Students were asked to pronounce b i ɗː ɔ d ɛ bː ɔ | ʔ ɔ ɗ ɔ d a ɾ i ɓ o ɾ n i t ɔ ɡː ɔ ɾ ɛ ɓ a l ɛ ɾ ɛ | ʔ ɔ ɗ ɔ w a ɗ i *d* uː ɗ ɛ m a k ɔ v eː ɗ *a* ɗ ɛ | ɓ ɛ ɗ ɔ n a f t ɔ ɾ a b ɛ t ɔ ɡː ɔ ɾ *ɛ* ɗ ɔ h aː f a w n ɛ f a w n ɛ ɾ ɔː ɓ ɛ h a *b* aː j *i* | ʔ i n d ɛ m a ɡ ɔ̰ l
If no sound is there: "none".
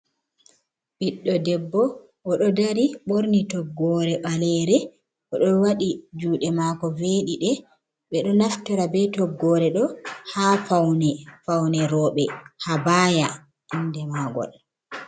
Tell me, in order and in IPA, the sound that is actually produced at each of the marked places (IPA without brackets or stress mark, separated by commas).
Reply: d͡ʒ, i, ɛ, b, a